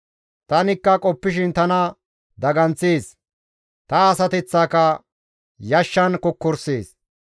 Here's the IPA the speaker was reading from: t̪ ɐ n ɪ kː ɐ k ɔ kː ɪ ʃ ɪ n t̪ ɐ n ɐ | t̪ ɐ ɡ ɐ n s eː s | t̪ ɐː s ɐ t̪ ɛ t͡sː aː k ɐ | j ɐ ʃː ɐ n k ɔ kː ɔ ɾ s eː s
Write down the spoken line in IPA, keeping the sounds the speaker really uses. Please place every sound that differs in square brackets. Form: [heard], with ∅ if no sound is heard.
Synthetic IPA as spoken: t̪ ɐ n ɪ kː ɐ [kʼ] ɔ [pː] ɪ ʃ ɪ n t̪ ɐ n ɐ | [d̪] ɐ ɡ ɐ n [t͡s] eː s | t̪ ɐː s ɐ t̪ ɛ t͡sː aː k ɐ | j ɐ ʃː ɐ n k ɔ kː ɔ ɾ s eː s